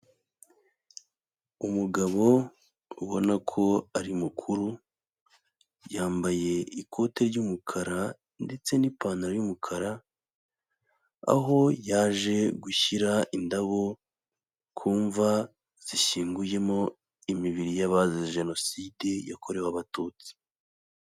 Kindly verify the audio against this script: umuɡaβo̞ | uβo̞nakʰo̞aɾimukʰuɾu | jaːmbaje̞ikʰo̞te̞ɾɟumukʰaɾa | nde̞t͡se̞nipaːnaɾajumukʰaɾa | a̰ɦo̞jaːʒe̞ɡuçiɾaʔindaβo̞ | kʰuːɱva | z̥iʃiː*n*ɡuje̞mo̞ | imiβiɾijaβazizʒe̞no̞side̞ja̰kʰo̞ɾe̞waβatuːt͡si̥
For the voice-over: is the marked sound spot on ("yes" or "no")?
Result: no